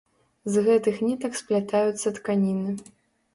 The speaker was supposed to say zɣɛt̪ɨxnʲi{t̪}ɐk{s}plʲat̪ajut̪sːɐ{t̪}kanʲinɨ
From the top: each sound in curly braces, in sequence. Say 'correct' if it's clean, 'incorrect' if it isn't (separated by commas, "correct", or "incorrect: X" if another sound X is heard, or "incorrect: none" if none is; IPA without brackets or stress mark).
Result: correct, correct, correct